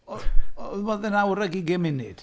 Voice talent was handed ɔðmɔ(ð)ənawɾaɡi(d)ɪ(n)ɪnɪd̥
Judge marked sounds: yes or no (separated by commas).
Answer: yes, no, no